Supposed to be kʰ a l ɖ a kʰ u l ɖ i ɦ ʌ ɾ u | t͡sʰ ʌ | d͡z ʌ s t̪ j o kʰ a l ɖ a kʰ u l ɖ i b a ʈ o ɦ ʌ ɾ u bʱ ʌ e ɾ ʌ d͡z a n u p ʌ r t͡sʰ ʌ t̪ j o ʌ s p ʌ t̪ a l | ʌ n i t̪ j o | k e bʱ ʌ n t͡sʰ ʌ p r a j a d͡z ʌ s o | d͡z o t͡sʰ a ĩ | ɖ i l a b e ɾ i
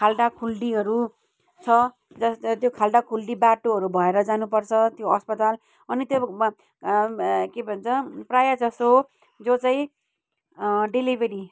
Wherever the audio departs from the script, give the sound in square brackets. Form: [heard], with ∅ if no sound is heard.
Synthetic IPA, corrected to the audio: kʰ a l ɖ a kʰ u l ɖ i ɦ ʌ ɾ u | t͡sʰ ʌ | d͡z ʌ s t̪ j o kʰ a l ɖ a kʰ u l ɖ i b a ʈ o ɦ ʌ ɾ u bʱ ʌ e ɾ ʌ d͡z a n u p ʌ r t͡sʰ ʌ t̪ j o ʌ s p ʌ t̪ a l | ʌ n i t̪ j o | k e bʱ ʌ n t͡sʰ ʌ p r a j a d͡z ʌ s o | d͡z o [t͡s] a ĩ | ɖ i l [i] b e ɾ i